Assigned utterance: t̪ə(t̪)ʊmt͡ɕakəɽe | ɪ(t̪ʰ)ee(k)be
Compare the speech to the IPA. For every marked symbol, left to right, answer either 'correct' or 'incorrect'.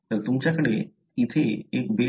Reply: correct, correct, correct

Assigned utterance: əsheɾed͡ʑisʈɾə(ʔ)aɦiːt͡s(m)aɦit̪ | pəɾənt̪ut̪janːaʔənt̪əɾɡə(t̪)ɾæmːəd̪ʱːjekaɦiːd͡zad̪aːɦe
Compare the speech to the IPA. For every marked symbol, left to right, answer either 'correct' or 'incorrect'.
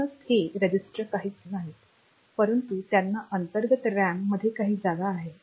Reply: incorrect: k, incorrect: n, correct

